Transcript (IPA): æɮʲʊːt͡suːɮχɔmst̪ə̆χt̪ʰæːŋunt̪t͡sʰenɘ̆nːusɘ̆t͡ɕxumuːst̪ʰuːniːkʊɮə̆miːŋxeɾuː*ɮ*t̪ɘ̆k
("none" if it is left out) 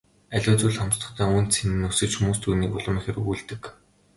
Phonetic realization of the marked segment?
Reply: ɮ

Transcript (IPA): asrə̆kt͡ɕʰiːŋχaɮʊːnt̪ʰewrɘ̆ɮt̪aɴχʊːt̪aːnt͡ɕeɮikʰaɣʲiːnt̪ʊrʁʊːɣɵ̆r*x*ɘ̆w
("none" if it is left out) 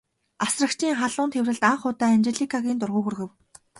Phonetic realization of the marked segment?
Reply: ɣ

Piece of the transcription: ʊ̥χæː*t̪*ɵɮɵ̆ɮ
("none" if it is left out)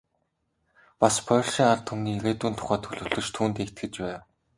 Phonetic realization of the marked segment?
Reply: t̪ʰ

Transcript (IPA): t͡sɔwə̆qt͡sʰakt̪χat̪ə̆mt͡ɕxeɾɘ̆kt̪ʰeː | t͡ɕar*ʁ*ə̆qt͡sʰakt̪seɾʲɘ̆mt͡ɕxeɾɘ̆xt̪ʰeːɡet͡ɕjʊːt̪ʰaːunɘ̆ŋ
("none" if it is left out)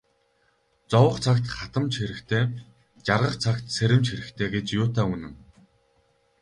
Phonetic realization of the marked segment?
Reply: ʁ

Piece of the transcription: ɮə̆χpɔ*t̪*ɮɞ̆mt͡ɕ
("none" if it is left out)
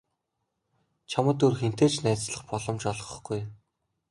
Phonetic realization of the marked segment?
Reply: none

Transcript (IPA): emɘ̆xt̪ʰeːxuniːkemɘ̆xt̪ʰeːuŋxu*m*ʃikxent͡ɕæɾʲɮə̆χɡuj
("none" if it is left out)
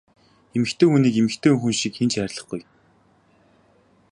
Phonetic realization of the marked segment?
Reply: n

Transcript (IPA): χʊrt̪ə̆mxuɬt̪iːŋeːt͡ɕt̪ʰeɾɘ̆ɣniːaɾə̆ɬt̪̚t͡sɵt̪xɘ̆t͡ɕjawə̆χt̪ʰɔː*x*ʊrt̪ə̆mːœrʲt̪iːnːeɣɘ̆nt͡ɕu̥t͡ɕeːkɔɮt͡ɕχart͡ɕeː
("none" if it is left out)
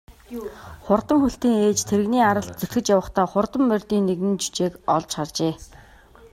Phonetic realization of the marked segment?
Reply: χ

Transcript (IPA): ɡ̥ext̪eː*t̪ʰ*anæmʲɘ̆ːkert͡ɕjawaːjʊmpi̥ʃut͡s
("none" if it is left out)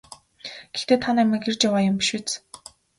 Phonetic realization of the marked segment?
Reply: t̪ʰ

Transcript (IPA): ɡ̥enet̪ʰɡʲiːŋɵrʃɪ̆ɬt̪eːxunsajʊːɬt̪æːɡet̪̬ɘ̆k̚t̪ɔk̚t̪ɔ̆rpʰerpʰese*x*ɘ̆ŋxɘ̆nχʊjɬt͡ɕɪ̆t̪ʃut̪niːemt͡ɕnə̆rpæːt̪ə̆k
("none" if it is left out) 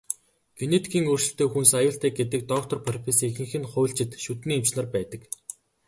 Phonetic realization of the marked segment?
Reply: x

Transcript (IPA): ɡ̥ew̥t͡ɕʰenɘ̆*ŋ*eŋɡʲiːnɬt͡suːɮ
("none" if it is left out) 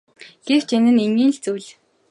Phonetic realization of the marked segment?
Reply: n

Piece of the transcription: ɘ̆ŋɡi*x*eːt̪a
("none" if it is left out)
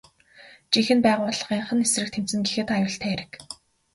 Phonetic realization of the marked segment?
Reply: x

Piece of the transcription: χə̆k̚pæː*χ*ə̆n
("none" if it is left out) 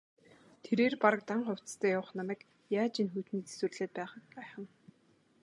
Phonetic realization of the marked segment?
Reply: χ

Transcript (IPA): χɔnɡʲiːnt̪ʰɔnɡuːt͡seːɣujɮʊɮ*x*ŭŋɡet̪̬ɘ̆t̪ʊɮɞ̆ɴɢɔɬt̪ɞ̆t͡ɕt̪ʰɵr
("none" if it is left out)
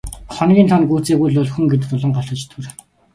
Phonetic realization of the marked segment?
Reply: x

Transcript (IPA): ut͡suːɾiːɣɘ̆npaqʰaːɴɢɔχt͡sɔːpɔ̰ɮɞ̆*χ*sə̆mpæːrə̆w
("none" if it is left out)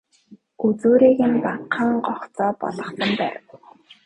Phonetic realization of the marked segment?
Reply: χ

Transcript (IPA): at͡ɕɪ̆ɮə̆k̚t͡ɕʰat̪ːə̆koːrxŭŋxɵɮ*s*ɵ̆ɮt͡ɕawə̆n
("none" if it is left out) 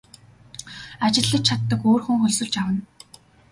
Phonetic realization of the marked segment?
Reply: s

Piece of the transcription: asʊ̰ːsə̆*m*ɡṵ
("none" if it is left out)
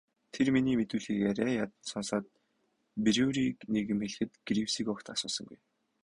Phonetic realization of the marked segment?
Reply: ŋ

